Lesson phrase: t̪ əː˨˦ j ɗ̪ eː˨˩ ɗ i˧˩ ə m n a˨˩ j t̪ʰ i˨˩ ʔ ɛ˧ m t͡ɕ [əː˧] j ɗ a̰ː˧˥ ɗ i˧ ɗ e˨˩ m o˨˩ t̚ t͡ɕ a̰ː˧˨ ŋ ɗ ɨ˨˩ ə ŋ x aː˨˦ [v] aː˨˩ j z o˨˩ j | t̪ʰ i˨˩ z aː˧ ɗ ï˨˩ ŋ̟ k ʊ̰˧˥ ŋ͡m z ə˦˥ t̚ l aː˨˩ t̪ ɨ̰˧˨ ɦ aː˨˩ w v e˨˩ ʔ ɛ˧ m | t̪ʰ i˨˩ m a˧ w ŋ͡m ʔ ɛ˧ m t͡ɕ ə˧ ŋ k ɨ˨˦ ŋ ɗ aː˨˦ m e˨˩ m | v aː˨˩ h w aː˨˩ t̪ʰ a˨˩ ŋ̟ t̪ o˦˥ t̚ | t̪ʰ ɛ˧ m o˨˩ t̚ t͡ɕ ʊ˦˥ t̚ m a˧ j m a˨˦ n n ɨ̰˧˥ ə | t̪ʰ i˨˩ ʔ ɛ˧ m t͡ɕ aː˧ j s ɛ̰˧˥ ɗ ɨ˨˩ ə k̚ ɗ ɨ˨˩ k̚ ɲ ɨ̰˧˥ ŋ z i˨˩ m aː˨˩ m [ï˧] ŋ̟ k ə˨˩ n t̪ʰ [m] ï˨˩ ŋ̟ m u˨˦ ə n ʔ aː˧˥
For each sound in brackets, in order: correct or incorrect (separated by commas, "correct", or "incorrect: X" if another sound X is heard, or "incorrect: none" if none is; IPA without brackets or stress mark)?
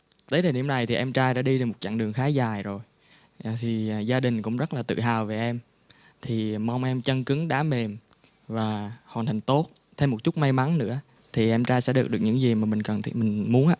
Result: incorrect: aː˧, incorrect: z, incorrect: ï˨˩, correct